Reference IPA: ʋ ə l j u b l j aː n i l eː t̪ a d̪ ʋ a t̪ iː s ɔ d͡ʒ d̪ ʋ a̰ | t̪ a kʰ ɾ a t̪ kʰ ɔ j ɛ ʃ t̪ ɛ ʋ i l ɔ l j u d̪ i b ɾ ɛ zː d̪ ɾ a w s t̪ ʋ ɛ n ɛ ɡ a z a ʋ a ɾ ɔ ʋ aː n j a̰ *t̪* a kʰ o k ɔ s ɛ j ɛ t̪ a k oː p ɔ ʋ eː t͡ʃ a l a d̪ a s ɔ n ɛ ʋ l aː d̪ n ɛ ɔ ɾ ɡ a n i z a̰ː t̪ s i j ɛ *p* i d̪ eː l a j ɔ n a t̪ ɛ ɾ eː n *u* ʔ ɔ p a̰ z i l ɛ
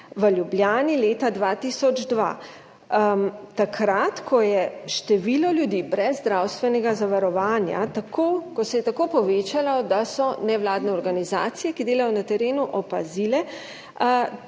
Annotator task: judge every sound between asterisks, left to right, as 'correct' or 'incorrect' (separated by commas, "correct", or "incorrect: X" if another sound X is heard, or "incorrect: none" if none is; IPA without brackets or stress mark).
correct, incorrect: k, correct